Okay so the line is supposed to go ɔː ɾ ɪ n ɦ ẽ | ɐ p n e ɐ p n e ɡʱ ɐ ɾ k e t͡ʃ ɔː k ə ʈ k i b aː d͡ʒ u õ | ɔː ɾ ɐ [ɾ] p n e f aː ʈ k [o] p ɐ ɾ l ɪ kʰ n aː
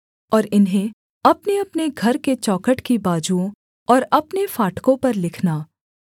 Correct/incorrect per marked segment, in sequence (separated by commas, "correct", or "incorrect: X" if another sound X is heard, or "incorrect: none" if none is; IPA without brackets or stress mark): incorrect: none, incorrect: õ